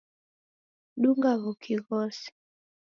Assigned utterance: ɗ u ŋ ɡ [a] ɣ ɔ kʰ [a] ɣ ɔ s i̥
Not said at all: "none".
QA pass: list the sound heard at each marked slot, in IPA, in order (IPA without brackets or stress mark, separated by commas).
a, i